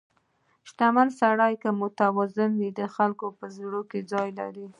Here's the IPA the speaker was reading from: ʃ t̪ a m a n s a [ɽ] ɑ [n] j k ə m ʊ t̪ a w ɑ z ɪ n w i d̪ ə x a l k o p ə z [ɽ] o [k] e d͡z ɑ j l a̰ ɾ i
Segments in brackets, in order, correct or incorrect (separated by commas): correct, incorrect, correct, correct